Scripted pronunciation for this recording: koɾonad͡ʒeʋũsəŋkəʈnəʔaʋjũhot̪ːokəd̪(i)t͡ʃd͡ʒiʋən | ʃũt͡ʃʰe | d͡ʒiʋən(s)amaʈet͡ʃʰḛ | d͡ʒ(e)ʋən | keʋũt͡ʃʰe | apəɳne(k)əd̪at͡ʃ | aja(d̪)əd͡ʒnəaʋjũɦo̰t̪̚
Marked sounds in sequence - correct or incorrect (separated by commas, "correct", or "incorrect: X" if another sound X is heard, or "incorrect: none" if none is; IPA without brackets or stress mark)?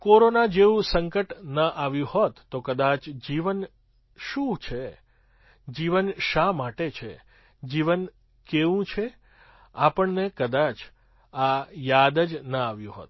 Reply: incorrect: a, incorrect: ʃ, incorrect: i, correct, correct